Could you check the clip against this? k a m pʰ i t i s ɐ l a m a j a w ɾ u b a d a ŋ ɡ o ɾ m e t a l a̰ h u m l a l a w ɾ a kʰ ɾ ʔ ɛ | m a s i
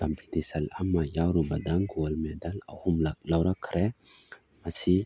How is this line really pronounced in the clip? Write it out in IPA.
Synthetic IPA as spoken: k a m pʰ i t i s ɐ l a m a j a w ɾ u b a d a ŋ ɡ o l m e d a l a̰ h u m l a l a w ɾ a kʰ ɾ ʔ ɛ | m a s i

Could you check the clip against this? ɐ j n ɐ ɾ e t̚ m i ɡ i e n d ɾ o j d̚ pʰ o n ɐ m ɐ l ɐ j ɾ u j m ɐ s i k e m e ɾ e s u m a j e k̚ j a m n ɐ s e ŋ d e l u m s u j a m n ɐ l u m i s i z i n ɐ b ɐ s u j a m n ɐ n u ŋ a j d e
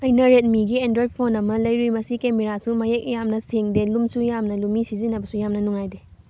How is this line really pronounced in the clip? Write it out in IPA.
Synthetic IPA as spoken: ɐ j n ɐ ɾ e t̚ m i ɡ i e n d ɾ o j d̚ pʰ o n ɐ m ɐ l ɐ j ɾ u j m ɐ s i k e m e ɾ a s u m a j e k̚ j a m n ɐ s e ŋ d e l u m s u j a m n ɐ l u m i s i z i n ɐ b ɐ s u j a m n ɐ n u ŋ a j d e

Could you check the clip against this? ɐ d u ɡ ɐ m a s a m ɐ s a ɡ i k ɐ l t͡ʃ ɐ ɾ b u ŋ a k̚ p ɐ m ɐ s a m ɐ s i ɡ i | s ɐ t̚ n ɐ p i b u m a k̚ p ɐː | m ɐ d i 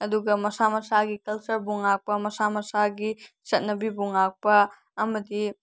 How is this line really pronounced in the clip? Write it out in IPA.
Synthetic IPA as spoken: ɐ d u ɡ ɐ m ɐ s a m ɐ s a ɡ i k ɐ l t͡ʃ ɐ ɾ b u ŋ a k̚ p ɐ m ɐ s a m ɐ s a ɡ i | s ɐ t̚ n ɐ b i b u ŋ a k̚ p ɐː | m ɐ d i

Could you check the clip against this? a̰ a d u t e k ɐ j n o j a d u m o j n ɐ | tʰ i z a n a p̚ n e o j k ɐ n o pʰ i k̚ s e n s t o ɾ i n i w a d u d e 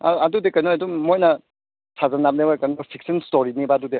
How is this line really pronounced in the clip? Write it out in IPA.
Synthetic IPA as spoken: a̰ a d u d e k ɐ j n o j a d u m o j n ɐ | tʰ a z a n a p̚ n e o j k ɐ n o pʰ i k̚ s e n s t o ɾ i n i b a d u d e

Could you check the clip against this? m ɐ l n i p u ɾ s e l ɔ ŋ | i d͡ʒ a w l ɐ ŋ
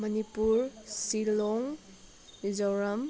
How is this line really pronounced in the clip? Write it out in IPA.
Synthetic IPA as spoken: m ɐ n i p u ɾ s i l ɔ ŋ | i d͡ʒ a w ɾ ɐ m

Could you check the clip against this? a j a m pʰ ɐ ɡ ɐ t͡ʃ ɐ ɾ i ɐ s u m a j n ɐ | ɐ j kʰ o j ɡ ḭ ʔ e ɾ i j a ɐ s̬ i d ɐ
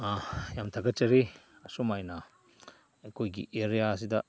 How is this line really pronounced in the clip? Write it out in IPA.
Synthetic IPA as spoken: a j a m tʰ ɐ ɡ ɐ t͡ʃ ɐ ɾ i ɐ s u m a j n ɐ | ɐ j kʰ o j ɡ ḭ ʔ e ɾ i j a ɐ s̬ i d ɐ

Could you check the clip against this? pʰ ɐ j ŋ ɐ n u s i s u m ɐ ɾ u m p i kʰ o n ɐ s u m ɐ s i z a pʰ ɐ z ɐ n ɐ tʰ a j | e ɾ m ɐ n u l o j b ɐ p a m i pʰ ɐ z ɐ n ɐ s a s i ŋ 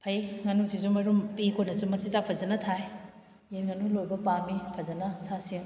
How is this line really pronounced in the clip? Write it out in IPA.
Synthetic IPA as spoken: pʰ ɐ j ŋ ɐ n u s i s u m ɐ ɾ u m p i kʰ o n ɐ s u m ɐ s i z a pʰ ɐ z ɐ n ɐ tʰ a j | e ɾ ŋ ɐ n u l o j b ɐ p a m i pʰ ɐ z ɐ n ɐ s a s i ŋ

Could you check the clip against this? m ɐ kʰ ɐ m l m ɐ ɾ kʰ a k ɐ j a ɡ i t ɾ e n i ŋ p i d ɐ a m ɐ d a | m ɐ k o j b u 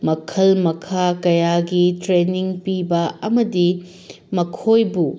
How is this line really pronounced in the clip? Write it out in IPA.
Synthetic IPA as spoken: m ɐ kʰ ɐ l m ɐ kʰ a k ɐ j a ɡ i t ɾ e n i ŋ p i b ɐ ɐ m ɐ d i | m ɐ kʰ o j b u

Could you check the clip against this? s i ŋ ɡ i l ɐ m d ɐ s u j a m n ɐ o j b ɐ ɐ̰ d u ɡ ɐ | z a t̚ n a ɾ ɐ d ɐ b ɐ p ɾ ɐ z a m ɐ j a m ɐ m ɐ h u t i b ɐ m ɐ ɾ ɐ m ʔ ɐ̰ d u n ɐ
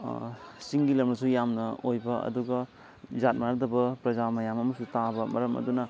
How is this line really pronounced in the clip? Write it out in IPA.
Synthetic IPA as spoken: s i ŋ ɡ i l ɐ m n ɐ s u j a m n ɐ o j b ɐ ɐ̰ d u ɡ ɐ | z a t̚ m a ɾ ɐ d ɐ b ɐ p ɾ ɐ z a m ɐ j a m ɐ m ɐ s u t a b ɐ m ɐ ɾ ɐ m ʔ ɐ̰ d u n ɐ

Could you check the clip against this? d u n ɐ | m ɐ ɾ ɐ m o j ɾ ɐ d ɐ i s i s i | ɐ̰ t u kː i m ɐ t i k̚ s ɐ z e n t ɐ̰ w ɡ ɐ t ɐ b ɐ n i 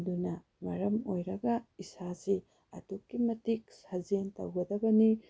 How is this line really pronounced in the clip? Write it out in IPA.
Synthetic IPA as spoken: d u n ɐ | m ɐ ɾ ɐ m o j ɾ ɐ ɡ ɐ i s a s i | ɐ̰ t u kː i m ɐ t i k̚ s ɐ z e n t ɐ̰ w ɡ ɐ d ɐ b ɐ n i

